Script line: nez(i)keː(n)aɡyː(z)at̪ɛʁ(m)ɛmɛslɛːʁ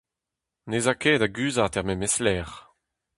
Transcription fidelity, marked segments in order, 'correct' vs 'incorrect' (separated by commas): incorrect, incorrect, correct, correct